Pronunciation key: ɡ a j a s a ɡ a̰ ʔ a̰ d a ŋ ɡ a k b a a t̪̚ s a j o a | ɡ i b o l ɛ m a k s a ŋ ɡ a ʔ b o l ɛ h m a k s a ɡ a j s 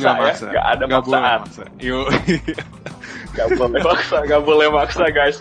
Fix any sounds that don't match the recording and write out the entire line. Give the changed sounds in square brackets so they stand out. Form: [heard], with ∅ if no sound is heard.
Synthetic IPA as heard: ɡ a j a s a ɡ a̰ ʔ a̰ d a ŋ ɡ a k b a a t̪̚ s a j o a | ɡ [a] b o l ɛ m a k s a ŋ ɡ a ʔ b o l ɛ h m a k s a ɡ a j s